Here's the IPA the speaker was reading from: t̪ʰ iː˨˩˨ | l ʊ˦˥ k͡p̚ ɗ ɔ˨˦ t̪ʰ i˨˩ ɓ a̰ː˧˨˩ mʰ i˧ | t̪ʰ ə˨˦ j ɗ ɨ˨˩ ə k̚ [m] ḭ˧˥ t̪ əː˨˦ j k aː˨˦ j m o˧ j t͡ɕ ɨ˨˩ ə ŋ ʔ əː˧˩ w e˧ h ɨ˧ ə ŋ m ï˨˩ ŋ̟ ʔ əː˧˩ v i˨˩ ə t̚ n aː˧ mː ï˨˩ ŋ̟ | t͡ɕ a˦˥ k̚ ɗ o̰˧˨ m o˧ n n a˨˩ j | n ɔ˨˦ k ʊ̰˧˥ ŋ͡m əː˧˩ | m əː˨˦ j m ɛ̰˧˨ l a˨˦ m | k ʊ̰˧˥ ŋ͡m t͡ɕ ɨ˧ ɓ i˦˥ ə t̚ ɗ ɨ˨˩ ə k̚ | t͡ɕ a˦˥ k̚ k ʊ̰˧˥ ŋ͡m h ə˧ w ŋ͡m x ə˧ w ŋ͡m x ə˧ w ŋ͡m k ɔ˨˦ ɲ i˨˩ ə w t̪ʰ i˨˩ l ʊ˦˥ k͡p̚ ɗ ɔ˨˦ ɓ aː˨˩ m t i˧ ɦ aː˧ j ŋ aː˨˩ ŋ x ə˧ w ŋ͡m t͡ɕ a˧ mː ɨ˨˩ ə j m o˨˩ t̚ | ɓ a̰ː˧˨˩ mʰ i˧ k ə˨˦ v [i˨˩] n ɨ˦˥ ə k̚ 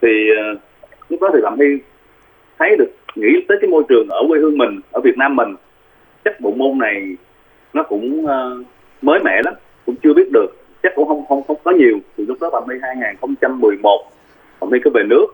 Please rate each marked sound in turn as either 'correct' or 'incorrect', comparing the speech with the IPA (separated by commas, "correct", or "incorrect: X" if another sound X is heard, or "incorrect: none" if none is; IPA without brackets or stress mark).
incorrect: ŋ, incorrect: e˨˩